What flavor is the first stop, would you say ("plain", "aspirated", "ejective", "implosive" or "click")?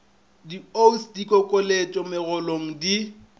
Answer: plain